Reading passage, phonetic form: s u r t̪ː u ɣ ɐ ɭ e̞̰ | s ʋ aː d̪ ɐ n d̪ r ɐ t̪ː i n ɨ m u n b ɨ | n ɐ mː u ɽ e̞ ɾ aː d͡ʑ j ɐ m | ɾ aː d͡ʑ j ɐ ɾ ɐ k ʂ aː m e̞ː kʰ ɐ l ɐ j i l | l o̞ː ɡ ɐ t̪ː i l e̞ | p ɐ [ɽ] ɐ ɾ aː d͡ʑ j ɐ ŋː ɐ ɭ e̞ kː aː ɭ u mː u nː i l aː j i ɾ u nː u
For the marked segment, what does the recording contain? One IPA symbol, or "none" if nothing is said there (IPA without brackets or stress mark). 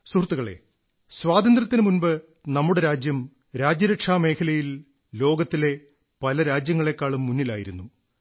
l